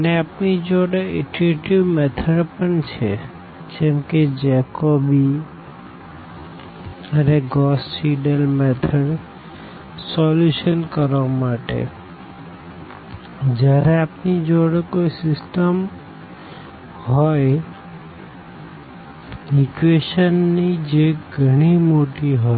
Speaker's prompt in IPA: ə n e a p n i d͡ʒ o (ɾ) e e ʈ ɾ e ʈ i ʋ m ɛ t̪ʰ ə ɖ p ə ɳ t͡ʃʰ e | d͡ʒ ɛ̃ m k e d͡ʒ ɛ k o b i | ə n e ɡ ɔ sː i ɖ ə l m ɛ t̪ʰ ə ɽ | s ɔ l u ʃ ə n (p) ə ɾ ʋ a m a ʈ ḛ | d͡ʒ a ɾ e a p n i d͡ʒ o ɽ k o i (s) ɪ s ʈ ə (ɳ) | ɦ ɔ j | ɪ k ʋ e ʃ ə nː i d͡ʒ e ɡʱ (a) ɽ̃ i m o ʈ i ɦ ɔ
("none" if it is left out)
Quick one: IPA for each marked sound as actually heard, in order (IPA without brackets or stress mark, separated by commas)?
ɽ, k, s, m, ə